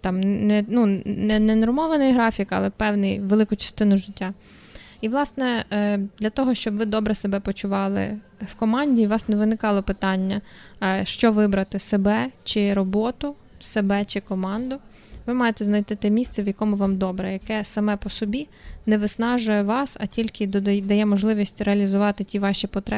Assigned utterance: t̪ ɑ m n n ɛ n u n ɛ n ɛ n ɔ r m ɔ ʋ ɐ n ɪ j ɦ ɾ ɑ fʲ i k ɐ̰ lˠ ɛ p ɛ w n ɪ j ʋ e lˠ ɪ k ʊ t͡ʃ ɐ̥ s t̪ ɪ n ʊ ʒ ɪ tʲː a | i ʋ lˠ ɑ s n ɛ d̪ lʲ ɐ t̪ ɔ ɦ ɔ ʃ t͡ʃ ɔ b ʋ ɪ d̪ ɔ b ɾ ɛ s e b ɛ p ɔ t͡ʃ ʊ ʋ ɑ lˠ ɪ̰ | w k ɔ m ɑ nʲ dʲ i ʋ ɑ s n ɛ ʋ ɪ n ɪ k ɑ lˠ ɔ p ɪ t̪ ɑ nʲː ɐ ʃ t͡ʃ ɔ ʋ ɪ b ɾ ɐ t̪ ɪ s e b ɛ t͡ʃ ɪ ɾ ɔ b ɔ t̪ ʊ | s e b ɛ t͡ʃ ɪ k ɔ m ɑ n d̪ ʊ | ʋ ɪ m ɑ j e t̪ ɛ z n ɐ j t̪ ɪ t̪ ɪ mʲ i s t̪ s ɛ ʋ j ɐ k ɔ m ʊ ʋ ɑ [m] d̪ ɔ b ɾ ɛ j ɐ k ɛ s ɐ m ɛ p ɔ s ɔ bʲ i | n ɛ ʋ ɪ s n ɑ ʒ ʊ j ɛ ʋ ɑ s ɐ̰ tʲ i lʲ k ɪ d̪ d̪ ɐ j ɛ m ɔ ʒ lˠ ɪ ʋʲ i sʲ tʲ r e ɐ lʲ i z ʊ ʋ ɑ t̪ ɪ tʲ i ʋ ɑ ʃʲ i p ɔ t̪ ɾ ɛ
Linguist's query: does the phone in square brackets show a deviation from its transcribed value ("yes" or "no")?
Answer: no